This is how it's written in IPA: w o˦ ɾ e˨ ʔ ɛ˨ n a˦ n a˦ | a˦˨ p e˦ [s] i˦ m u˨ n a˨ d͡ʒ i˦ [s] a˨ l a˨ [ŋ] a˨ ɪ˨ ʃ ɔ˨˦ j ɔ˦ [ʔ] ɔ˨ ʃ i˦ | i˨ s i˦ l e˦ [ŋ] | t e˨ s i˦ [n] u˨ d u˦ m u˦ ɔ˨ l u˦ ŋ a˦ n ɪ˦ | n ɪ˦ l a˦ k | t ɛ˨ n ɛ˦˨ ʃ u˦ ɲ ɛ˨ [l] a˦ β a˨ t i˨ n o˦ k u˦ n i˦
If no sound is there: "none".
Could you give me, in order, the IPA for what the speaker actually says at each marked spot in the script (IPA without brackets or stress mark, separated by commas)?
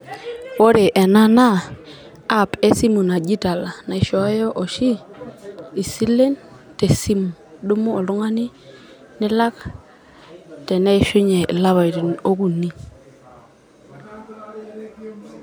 s, t, n, ʔ, n, m, l